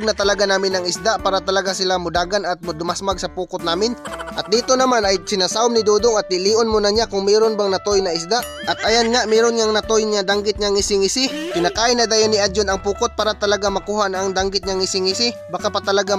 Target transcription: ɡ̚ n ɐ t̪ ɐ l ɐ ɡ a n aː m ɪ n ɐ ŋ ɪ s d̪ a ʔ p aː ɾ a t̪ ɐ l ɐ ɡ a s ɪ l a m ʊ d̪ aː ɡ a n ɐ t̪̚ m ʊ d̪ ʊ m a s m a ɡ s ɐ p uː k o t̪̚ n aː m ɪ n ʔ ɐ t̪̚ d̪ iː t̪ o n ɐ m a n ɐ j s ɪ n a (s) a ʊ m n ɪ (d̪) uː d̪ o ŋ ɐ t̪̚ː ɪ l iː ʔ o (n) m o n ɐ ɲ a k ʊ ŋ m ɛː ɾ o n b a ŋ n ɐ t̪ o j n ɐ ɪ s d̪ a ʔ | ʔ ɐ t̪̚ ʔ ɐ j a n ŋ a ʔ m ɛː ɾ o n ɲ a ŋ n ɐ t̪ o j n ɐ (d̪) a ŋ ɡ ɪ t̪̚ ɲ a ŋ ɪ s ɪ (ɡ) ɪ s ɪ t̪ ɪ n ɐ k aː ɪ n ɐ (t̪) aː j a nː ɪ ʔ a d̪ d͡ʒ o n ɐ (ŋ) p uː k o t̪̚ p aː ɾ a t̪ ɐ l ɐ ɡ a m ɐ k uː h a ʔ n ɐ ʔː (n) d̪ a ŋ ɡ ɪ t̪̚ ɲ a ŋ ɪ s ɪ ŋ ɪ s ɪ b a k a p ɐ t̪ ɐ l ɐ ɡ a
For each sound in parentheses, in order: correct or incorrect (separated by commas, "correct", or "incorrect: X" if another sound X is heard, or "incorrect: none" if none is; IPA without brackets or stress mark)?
correct, correct, correct, correct, incorrect: ŋ, incorrect: d̪, correct, incorrect: ŋ